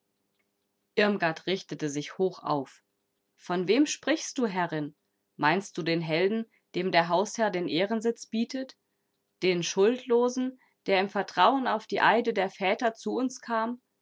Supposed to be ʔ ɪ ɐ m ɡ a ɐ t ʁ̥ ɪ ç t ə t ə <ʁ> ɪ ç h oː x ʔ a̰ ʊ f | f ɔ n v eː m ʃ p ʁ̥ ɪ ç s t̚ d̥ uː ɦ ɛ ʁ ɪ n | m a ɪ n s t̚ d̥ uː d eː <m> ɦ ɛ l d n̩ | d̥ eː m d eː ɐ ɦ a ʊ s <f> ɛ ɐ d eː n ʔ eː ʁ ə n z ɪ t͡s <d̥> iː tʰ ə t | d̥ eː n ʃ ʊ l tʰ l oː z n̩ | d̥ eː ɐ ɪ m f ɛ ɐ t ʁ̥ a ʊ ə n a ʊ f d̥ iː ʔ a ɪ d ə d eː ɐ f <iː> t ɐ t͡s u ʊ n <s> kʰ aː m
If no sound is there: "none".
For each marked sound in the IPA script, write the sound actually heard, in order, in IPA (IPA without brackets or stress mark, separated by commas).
z, n, h, b̥, ɛː, s